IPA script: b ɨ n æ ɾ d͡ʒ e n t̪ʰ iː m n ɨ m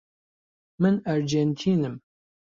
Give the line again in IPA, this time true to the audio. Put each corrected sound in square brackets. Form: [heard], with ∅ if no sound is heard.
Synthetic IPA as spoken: [m] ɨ n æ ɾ d͡ʒ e n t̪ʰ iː [∅] n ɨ m